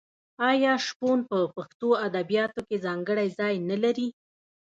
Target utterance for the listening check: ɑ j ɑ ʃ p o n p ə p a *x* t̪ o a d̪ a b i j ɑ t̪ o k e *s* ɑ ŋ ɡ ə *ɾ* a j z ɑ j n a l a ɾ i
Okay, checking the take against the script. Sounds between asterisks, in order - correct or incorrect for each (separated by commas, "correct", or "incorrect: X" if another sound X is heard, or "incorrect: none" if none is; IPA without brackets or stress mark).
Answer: correct, incorrect: z, incorrect: ɽ